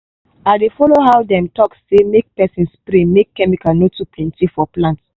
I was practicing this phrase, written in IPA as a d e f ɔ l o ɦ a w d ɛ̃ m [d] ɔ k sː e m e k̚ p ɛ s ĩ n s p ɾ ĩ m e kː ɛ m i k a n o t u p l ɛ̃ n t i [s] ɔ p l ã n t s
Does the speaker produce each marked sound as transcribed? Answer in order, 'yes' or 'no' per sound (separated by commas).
no, no